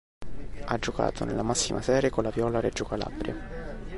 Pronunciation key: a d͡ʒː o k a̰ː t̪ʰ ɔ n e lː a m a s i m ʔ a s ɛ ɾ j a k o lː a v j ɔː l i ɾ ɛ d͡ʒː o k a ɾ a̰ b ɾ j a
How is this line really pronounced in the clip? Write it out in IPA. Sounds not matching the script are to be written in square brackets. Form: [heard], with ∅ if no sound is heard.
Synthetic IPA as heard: a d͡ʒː o k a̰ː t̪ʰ [o] n e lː a m a [sː] i m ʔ a s [ɛː] ɾ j [e] k o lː a v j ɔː l [a] ɾ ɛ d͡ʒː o k a [l] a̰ b ɾ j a